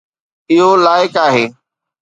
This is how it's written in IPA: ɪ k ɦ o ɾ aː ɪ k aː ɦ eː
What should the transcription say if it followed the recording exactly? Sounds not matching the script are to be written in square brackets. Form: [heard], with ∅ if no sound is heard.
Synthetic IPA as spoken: ɪ [∅] ɦ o [l] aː ɪ k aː ɦ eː